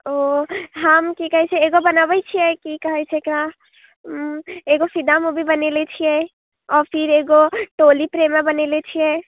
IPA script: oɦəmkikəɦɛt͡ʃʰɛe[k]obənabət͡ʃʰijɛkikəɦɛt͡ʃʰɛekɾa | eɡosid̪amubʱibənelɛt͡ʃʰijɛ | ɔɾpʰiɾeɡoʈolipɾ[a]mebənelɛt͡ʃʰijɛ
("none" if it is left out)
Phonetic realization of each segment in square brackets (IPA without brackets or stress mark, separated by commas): ɡ, e